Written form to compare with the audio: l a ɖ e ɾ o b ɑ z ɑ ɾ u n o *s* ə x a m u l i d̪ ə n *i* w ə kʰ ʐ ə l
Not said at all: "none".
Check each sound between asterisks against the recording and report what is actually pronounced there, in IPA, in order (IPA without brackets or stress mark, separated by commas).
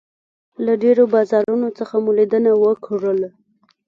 t͡s, a